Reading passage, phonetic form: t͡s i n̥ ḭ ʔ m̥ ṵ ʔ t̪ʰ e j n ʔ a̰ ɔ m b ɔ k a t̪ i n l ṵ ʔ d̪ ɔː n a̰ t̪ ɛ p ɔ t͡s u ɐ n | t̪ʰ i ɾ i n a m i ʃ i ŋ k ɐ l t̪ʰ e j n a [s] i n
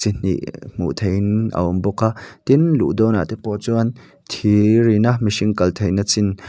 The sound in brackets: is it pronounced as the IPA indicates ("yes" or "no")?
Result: no